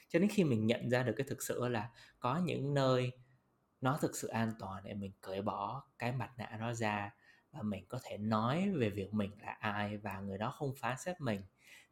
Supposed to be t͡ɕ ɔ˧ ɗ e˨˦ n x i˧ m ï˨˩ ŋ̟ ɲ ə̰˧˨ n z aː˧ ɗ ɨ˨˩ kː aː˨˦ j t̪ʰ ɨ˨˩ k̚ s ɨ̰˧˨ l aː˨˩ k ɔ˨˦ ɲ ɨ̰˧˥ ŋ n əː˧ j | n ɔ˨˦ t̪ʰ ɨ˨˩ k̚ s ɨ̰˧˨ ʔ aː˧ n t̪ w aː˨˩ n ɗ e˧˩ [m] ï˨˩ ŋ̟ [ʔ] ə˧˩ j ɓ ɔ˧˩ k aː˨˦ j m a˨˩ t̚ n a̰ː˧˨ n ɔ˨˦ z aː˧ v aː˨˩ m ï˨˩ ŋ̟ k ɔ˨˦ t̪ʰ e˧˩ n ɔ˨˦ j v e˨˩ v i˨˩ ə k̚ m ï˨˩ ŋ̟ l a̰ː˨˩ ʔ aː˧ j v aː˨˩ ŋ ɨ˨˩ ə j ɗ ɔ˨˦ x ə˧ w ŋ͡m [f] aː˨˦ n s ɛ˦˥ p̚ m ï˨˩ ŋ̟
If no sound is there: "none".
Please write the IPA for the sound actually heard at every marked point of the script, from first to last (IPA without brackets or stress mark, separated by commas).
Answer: m, k, f